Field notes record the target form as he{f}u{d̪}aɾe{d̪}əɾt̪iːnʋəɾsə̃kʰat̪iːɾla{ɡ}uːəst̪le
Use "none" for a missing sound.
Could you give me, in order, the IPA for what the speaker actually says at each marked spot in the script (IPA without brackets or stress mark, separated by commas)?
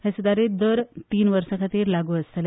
s, d̪, d̪, ɡ